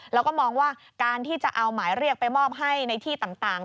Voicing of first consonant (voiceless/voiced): voiced